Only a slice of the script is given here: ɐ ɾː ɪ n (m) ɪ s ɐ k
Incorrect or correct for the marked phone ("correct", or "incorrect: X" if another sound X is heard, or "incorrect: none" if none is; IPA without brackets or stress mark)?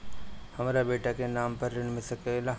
correct